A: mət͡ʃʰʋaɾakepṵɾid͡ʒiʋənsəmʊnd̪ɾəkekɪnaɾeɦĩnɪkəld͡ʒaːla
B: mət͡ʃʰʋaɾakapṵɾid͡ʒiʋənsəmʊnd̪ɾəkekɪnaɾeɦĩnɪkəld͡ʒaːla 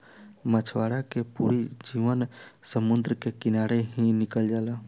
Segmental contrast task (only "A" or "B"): A